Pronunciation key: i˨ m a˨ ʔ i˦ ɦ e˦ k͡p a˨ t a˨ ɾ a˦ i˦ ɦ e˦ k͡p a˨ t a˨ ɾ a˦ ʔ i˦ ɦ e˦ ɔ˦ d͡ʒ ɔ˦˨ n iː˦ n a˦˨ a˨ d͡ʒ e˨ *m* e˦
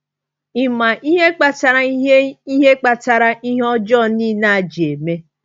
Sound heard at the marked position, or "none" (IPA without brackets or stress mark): m